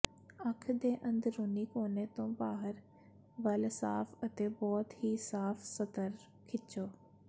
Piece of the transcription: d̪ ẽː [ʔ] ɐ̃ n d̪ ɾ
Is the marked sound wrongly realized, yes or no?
no